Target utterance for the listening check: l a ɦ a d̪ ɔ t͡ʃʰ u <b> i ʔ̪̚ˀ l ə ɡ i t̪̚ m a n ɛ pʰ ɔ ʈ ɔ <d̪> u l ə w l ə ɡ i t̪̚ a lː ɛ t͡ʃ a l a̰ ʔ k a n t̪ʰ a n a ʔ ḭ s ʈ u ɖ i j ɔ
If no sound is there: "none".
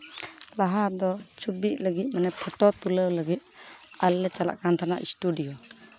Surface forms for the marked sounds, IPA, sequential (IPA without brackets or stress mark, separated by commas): b, t̪